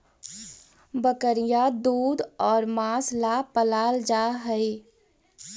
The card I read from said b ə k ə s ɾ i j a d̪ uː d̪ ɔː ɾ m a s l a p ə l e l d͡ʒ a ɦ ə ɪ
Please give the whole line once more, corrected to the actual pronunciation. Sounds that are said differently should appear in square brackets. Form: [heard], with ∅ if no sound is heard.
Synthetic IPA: b ə k ə [∅] ɾ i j a d̪ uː d̪ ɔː ɾ m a s l a p ə l [a] l d͡ʒ a ɦ ə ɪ